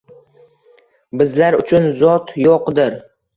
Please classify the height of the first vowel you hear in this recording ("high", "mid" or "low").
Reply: high